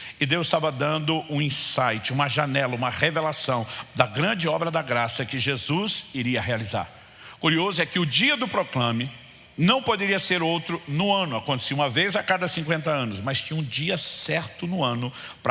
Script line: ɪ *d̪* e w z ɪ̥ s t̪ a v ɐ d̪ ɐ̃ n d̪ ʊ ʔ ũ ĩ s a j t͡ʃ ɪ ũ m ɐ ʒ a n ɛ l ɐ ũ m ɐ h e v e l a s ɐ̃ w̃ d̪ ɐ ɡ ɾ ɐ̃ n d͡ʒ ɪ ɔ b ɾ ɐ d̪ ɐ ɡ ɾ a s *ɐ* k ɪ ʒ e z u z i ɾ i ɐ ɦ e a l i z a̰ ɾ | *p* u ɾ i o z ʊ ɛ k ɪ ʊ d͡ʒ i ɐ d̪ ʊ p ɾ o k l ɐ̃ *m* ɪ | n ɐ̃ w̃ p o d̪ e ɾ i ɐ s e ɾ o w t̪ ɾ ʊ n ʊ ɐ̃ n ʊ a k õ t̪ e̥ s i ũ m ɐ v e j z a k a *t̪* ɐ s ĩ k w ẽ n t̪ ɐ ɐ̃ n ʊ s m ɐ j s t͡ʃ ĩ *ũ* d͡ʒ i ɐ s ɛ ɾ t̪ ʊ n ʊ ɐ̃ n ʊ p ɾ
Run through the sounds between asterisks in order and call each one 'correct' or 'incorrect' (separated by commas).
correct, correct, incorrect, correct, incorrect, correct